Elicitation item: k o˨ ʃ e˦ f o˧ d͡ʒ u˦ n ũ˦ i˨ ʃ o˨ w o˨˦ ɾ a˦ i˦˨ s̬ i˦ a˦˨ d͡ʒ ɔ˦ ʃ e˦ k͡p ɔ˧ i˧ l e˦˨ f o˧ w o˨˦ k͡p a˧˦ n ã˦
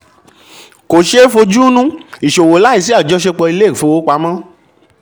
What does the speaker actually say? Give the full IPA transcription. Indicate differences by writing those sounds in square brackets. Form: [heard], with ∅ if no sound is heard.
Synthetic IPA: k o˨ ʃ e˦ f o˧ d͡ʒ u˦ n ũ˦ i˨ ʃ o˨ w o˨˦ [l] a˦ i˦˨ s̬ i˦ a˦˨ d͡ʒ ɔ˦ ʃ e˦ k͡p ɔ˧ i˧ l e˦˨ f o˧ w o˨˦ k͡p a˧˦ [m] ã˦